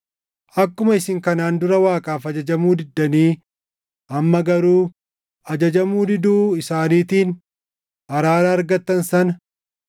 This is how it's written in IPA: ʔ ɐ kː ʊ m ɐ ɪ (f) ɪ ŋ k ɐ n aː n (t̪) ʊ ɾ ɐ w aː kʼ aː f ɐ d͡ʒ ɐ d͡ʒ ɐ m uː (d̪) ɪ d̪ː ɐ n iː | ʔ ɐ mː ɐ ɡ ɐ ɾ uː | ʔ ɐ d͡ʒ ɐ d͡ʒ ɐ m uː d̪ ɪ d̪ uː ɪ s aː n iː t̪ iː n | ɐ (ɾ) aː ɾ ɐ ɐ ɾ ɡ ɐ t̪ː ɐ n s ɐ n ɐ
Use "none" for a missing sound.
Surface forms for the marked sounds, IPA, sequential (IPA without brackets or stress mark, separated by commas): s, d̪, d̪, ɾ